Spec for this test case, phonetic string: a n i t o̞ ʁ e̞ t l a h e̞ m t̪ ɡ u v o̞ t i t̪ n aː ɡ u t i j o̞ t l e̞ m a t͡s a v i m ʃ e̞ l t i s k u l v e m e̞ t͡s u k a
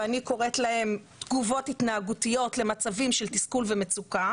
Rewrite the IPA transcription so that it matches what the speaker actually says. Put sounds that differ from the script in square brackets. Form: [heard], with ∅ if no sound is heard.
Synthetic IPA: a n i [k] o̞ ʁ e̞ t l a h e̞ m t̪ ɡ u v o̞ t i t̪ n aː ɡ u t i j o̞ t l e̞ m a t͡s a v i m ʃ e̞ l t i s k u l v e m e̞ t͡s u k a